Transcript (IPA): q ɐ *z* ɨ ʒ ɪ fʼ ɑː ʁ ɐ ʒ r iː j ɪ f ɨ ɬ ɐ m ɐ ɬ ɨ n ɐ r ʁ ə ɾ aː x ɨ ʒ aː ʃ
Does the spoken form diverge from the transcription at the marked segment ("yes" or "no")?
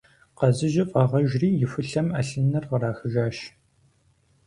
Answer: no